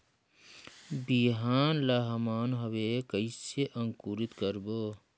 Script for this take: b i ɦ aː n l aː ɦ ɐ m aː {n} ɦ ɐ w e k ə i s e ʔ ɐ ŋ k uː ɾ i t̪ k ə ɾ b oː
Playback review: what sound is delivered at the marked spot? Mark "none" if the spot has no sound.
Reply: n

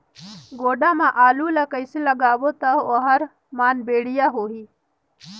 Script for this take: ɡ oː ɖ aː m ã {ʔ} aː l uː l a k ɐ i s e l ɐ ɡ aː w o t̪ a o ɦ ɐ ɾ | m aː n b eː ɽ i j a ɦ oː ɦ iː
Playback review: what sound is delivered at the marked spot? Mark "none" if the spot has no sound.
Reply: ʔ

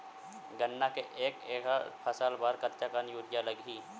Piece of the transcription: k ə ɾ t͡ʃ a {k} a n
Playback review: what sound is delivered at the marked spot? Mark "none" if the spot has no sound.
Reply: k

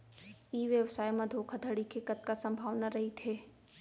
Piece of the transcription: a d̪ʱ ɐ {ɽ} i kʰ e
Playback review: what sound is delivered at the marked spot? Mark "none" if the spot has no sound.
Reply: ɽ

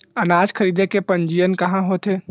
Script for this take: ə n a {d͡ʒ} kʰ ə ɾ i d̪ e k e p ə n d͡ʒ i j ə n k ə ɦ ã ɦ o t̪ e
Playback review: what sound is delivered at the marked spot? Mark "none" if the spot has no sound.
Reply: d͡ʒ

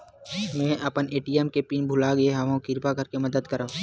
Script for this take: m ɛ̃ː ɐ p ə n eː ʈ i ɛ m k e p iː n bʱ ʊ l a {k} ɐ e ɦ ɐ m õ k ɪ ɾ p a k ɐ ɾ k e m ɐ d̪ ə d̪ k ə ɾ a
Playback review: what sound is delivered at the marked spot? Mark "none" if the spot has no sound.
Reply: ɡ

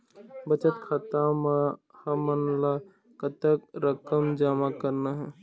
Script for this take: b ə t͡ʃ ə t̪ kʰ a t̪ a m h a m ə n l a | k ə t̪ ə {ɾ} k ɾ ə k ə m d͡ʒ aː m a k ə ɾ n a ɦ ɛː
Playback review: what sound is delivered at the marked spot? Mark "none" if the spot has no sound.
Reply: none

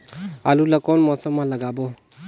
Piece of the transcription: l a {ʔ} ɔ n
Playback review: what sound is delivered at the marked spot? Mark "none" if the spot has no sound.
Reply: k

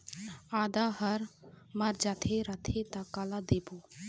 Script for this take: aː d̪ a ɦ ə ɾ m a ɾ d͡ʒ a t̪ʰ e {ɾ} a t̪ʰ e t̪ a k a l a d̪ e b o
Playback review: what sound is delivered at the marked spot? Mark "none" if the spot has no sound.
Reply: ɾ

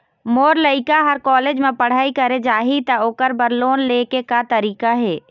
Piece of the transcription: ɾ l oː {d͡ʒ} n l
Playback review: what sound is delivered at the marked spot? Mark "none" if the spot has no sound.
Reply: none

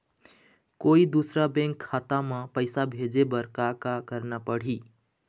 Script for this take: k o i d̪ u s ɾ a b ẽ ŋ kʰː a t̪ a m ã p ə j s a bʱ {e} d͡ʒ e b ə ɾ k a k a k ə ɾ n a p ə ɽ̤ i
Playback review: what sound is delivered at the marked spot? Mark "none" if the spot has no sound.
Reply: e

